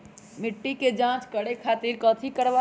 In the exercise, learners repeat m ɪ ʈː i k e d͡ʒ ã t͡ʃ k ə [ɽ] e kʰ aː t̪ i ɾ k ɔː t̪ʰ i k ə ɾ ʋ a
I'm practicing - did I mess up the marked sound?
no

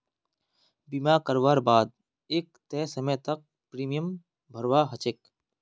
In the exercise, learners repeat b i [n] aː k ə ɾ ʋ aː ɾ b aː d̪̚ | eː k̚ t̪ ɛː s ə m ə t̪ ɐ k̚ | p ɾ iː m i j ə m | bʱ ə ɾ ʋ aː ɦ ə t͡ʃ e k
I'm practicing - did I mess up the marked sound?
yes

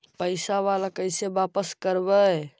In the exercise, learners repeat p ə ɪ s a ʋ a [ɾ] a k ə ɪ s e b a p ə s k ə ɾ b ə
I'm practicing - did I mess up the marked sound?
yes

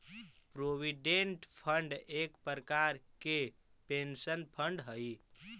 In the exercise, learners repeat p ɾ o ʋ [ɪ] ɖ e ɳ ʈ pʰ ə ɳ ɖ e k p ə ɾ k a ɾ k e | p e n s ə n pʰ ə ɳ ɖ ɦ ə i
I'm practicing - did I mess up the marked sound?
yes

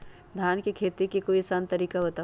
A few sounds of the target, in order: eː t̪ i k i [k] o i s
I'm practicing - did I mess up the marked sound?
no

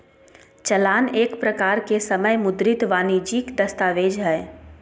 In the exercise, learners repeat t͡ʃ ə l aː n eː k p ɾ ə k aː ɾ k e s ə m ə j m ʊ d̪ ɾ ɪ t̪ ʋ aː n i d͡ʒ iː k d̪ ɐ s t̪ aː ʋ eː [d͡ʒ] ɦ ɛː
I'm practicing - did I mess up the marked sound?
no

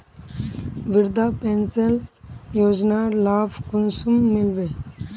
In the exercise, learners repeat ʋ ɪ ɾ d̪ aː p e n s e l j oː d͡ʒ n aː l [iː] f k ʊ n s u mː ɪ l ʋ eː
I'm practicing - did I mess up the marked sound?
yes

